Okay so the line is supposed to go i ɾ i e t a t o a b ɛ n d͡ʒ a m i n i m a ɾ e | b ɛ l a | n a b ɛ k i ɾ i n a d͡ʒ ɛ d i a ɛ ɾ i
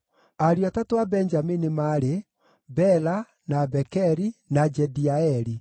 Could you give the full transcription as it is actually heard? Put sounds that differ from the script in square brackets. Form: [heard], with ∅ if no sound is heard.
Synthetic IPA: [a] ɾ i [a] t a t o a b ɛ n d͡ʒ a m i n i m a ɾ e | b ɛ l a | n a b ɛ k [ɛ] ɾ i n a d͡ʒ ɛ d i a ɛ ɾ i

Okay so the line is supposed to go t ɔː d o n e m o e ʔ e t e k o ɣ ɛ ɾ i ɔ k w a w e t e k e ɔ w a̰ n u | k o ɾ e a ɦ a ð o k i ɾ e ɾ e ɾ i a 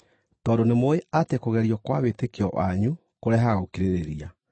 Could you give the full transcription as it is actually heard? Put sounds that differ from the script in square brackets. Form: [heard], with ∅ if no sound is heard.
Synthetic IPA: t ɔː d o n e m o e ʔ [a] t e k o ɣ ɛ ɾ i ɔ k w a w e t e k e ɔ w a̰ [ɲ] u | k o ɾ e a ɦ a [ɣ] o k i ɾ e ɾ e ɾ i a

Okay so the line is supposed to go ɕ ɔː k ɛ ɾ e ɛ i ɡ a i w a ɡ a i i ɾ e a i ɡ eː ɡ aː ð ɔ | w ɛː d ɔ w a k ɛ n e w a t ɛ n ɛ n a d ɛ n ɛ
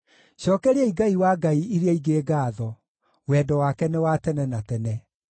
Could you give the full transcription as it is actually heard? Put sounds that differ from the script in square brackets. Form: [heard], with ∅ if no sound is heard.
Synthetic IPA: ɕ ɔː k ɛ ɾ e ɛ i ɡ a i w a ɡ a i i ɾ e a i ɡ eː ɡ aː ð ɔ | w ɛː d ɔ w a k ɛ n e w a t ɛ n ɛ n a [t] ɛ n ɛ

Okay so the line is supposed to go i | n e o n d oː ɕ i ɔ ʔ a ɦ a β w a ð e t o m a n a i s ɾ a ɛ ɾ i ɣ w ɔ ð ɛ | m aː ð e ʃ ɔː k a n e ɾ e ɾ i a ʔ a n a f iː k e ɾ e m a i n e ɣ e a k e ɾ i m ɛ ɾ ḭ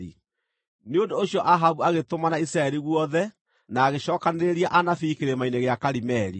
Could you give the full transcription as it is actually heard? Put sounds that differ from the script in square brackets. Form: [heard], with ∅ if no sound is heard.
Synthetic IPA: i | n e o n d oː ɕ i ɔ ʔ a ɦ a β [u] a [ɣ] e t o m a n a i s ɾ a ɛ ɾ i ɣ w ɔ ð ɛ | [n] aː [ɣ] e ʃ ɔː k a n e ɾ e ɾ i a ʔ a n a f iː k e ɾ e m a i n e ɣ e a k [a] ɾ i m ɛ ɾ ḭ

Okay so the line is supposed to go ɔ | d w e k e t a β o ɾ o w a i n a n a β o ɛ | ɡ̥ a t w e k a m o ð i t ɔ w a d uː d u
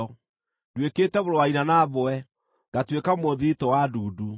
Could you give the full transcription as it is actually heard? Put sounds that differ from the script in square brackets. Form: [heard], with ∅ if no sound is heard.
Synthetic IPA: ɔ | d w e k e t [ɛ] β o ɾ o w a i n a n a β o ɛ | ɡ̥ a t w e k a m o ð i t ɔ w a d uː d u

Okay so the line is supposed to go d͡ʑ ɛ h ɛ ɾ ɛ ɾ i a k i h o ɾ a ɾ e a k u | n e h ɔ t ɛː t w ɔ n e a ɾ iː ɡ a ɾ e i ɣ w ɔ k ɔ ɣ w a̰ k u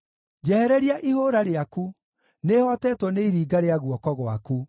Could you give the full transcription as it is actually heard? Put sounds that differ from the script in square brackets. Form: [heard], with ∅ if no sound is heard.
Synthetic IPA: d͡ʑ ɛ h ɛ ɾ ɛ ɾ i a [ʔ] i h o ɾ a ɾ e a k u | n e h ɔ t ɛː t w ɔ n e [i] ɾ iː ɡ a ɾ e [a] ɣ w ɔ k ɔ ɣ w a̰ k u

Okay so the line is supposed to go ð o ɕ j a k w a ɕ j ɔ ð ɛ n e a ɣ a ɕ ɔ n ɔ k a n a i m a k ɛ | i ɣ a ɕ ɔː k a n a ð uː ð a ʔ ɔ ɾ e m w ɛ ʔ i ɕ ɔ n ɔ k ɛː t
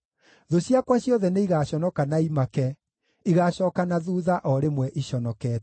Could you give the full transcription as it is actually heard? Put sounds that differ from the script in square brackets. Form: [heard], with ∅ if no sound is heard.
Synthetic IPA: ð o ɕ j a k w a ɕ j ɔ ð ɛ n e [i] ɣ a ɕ ɔ n ɔ k a n a i m a k ɛ | i ɣ a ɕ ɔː k a n a ð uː ð a ʔ ɔ ɾ e m w ɛ ʔ i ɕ ɔ n ɔ k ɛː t

